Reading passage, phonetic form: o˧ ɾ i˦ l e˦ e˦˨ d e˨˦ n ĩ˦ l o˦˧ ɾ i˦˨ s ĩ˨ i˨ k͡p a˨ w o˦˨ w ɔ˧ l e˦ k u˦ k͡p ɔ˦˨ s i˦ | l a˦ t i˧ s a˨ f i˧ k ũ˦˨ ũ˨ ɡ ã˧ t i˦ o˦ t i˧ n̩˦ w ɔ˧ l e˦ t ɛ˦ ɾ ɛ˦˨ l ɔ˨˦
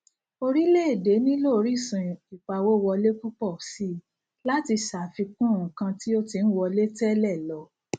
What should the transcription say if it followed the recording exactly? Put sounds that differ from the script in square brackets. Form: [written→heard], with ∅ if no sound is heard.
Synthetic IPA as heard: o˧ ɾ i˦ l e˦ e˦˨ d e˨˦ n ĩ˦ l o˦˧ ɾ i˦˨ s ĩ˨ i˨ k͡p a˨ w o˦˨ w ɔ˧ l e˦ k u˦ k͡p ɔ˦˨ s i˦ | l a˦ t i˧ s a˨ f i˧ k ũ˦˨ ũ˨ [ɡ→k] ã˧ t i˦ o˦ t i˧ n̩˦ w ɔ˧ l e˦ t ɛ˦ [ɾ→l] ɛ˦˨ l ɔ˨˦